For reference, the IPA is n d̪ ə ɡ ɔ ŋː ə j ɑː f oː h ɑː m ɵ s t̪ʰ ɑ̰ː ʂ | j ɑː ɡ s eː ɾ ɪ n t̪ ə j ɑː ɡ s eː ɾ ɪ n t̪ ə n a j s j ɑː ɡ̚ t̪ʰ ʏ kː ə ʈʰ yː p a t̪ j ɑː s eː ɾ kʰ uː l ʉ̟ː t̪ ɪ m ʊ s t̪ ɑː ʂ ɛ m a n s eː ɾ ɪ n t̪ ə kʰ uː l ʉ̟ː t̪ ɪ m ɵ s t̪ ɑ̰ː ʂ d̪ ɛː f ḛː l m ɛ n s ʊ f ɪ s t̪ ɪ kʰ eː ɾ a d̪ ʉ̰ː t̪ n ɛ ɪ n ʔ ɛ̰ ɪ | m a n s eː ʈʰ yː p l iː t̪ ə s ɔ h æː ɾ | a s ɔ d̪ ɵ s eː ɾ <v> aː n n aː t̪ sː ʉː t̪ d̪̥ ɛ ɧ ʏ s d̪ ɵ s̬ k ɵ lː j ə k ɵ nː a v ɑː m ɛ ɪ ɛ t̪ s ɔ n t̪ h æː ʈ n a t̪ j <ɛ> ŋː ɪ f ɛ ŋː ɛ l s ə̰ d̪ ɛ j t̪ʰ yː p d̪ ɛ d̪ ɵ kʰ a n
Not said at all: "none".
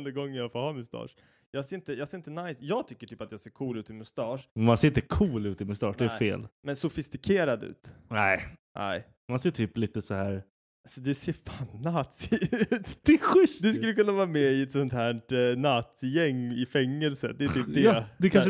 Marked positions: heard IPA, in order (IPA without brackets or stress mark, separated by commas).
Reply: f, ɛ